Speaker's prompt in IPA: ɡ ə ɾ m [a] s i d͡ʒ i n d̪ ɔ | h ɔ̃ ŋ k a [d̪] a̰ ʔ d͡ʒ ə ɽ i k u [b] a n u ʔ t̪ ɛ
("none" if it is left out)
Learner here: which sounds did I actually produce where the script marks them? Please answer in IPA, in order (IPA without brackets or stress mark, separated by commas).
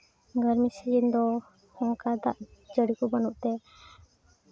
i, d̪, b